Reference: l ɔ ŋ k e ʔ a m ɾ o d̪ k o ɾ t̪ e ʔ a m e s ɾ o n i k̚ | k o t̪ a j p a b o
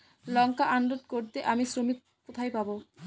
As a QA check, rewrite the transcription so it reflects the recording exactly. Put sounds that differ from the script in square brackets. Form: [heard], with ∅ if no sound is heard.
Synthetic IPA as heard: l ɔ ŋ k [a] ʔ a [n] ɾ o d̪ k o ɾ t̪ e ʔ a m [i] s ɾ o [m] i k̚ | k o [t̪ʰ] a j p a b o